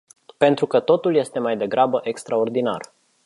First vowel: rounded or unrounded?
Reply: unrounded